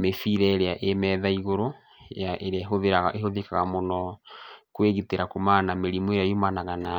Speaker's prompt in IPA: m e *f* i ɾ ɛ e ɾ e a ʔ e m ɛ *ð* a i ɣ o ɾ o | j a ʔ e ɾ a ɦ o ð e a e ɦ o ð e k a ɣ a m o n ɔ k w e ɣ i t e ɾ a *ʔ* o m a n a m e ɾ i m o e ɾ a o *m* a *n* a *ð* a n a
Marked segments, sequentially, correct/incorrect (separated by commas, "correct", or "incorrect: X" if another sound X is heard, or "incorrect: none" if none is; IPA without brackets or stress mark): correct, correct, incorrect: k, correct, correct, incorrect: ɣ